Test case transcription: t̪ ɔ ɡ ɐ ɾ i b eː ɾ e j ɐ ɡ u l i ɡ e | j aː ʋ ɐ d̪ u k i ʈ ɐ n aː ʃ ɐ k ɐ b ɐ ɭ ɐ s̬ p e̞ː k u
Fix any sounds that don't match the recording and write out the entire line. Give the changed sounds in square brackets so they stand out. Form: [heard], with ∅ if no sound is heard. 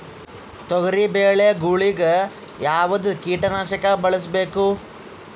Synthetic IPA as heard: t̪ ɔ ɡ ɐ ɾ i b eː [ɭ] e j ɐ ɡ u [ɭ] i ɡ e | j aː ʋ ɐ d̪ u k [iː] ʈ ɐ n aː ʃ ɐ k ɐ b ɐ ɭ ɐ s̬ [b] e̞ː k u